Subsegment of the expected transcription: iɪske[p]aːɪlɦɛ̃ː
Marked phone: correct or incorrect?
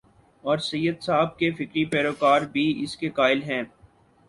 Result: incorrect